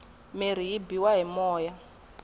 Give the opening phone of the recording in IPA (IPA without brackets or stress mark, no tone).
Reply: m